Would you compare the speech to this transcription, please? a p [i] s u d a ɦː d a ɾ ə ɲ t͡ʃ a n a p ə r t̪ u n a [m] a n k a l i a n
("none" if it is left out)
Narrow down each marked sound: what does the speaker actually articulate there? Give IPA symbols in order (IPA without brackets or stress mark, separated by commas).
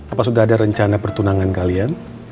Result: a, ŋ